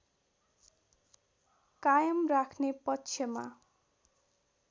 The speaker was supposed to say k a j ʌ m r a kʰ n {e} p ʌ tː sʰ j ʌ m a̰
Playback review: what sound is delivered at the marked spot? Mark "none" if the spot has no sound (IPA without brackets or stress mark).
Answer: e